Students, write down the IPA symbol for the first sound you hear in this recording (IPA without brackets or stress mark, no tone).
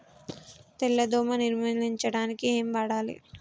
t̪